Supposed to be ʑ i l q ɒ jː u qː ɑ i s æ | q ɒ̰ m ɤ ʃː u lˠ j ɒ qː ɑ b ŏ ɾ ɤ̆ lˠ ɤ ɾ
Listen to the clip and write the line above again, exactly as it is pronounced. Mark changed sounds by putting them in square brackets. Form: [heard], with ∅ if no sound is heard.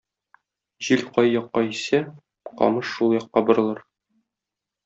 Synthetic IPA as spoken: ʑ i l q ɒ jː [ɒ] qː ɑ i s æ | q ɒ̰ m ɤ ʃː u lˠ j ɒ qː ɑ b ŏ ɾ ɤ̆ lˠ ɤ ɾ

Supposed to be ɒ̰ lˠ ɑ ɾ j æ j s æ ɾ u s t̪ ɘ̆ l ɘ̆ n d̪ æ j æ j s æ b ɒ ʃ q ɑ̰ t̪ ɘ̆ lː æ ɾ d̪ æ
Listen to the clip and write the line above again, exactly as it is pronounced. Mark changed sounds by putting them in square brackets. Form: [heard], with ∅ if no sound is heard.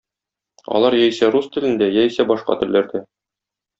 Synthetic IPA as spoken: ɒ̰ lˠ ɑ ɾ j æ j s æ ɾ u s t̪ ɘ̆ l ɘ̆ n d̪ æ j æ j s æ b ɒ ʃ q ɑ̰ t̪ ɘ̆ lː æ ɾ d̪ æ

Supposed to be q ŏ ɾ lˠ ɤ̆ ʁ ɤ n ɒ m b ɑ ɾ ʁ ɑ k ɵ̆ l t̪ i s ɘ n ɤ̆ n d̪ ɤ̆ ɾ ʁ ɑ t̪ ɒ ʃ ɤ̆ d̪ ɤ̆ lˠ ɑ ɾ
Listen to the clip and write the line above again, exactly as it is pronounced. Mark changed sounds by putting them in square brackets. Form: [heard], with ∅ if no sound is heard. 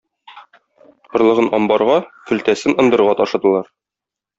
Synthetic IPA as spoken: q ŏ ɾ lˠ ɤ̆ ʁ ɤ n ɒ m b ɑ ɾ ʁ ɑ k ɵ̆ l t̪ [æ] s ɘ n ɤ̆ n d̪ ɤ̆ ɾ ʁ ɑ t̪ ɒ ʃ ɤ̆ d̪ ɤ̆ lˠ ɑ ɾ

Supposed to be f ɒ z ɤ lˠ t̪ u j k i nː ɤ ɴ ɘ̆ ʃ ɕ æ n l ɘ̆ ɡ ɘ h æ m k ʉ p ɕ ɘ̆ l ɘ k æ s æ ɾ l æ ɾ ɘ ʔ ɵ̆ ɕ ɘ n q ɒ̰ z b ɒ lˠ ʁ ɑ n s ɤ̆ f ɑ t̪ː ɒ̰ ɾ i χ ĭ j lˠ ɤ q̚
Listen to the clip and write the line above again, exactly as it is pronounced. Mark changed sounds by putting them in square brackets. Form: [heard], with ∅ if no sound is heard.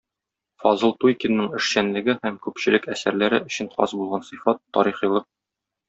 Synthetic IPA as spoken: f ɒ z ɤ lˠ t̪ u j k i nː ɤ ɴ ɘ̆ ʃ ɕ æ n l ɘ̆ ɡ ɘ h æ m k ʉ p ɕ ɘ̆ l ɘ k æ s æ ɾ l æ ɾ ɘ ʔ ɵ̆ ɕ ɘ n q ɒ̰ z b [u] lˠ ʁ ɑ n s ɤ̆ f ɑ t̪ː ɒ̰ ɾ i χ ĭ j lˠ ɤ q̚

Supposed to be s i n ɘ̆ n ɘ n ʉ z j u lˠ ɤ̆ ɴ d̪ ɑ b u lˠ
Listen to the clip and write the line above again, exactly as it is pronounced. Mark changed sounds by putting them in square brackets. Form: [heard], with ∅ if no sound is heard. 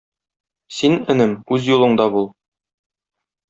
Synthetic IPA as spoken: s i n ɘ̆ n ɘ [m] ʉ z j u lˠ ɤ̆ ɴ d̪ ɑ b u lˠ

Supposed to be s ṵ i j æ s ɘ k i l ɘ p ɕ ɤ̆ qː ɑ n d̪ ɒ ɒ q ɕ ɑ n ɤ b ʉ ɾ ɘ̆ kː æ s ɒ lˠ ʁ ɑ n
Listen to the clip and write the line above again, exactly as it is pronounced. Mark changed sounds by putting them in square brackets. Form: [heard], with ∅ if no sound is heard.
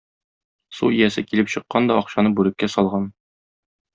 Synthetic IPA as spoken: s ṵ i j æ s ɘ k i l ɘ p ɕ ɤ̆ qː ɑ n d̪ ɒ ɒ q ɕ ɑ n ɤ b ʉ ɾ ɘ̆ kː æ s ɒ lˠ ʁ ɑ n

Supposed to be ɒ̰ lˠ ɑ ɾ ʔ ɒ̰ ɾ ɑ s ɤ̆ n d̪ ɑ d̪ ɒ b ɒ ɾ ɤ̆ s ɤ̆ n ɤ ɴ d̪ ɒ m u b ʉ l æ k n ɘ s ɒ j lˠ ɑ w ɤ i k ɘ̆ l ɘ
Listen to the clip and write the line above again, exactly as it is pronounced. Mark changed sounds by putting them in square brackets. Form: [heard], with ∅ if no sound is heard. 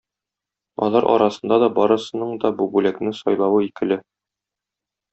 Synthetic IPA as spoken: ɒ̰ lˠ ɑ ɾ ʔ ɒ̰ ɾ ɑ s ɤ̆ n d̪ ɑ d̪ ɒ b ɒ ɾ ɤ̆ s ɤ̆ n ɤ ɴ d̪ ɒ [b] u b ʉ l æ k n ɘ s ɒ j lˠ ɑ w ɤ i k ɘ̆ l ɘ

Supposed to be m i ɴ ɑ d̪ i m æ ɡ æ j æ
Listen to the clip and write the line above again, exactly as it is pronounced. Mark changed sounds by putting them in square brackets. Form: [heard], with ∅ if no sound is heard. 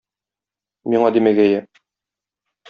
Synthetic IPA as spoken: m i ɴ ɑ d̪ i m æ ɡ æ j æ

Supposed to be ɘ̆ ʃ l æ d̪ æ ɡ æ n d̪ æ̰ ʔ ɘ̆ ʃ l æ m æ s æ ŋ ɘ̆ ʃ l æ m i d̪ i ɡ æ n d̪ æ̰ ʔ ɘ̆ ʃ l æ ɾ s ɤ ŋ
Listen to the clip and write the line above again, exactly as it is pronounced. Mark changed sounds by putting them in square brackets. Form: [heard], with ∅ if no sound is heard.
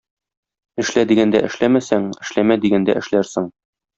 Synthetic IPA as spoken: ɘ̆ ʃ l æ d̪ [i] ɡ æ n d̪ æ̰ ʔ ɘ̆ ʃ l æ m æ s æ ŋ ɘ̆ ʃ l æ m [æ] d̪ i ɡ æ n d̪ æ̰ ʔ ɘ̆ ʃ l æ ɾ s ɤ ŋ

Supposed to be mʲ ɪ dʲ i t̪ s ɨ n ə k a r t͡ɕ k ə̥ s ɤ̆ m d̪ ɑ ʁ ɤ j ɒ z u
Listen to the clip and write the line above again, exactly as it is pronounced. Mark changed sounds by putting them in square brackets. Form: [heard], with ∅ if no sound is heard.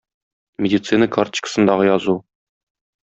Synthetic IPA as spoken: mʲ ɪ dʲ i t̪ s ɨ n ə k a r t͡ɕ k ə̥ s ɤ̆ [n] d̪ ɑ ʁ ɤ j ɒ z u

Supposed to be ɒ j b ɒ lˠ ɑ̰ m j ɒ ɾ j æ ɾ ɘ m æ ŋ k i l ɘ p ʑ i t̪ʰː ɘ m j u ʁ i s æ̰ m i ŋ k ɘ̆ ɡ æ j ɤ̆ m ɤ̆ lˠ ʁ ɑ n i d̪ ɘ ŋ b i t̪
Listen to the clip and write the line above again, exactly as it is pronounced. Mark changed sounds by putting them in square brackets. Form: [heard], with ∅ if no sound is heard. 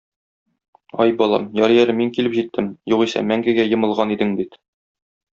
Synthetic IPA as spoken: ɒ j b ɒ lˠ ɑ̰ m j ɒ ɾ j æ ɾ ɘ m [i] ŋ k i l ɘ p ʑ i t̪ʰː ɘ m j u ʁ i s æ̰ m [æ] ŋ [ɡ] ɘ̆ ɡ æ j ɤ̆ m ɤ̆ lˠ ʁ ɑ n i d̪ ɘ ŋ b i t̪

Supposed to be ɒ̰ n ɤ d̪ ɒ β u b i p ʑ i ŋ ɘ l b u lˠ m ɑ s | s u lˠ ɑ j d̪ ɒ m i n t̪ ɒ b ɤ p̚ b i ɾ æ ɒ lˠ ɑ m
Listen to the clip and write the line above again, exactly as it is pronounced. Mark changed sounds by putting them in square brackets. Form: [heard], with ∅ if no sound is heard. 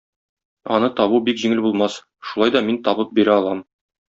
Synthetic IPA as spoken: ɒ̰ n ɤ [t̪] ɒ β u b i [k] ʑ i ŋ ɘ l b u lˠ m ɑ s | [ʃ] u lˠ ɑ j d̪ ɒ m i n t̪ ɒ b ɤ p̚ b i ɾ æ ɒ lˠ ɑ m

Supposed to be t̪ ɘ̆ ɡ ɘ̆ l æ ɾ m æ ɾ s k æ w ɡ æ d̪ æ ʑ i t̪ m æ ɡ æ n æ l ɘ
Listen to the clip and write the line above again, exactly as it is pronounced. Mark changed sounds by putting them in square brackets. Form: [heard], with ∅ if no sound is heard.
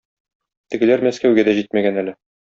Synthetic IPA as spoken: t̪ ɘ̆ ɡ ɘ̆ l æ ɾ m æ [∅] s k æ w ɡ æ d̪ æ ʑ i t̪ m æ ɡ æ n æ l ɘ

